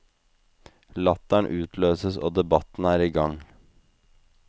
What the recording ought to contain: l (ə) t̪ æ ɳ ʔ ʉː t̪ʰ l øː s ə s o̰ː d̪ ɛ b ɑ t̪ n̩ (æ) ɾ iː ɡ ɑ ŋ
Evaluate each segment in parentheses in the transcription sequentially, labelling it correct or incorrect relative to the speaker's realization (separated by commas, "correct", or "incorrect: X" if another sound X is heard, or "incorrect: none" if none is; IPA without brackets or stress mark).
incorrect: ɑ, incorrect: æː